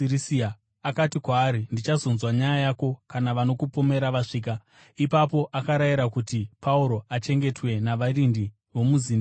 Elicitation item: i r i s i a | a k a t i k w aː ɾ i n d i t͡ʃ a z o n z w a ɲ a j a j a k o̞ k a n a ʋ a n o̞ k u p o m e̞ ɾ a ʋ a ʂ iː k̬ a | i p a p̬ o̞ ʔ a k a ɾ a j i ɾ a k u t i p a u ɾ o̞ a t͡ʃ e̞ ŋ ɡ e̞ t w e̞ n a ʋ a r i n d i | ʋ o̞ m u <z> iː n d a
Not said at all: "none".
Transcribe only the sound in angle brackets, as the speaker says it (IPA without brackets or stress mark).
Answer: z